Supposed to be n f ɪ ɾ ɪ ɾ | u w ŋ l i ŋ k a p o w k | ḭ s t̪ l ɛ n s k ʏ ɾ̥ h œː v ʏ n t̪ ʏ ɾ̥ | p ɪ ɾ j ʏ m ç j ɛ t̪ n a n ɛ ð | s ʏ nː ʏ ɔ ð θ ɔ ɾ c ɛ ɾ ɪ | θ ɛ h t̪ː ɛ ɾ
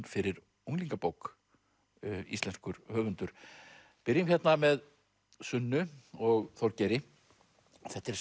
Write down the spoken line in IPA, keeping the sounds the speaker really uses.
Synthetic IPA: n f ɪ ɾ ɪ ɾ | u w ŋ l i ŋ k a p o w k | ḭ s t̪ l ɛ n s k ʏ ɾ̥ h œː v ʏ n t̪ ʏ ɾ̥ | p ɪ ɾ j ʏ m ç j ɛ t̪ n a m ɛ ð | s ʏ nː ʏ ɔ ɣ θ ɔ ɾ c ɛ ɾ ɪ | θ ɛ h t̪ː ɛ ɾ